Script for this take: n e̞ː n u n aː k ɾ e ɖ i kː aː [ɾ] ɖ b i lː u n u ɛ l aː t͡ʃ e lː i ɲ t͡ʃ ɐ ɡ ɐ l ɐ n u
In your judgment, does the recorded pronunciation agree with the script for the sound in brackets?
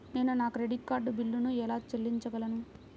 yes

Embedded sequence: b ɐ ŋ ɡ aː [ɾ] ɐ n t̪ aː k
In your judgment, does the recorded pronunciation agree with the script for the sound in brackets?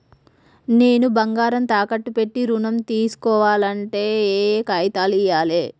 yes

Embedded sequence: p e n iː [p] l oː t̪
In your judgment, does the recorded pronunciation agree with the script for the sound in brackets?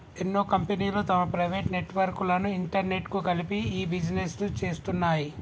no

